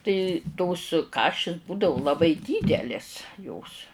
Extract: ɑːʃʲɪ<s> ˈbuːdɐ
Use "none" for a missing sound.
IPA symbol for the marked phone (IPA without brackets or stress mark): s